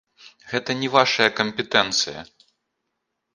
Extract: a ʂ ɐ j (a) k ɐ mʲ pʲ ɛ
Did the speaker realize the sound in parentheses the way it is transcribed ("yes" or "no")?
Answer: no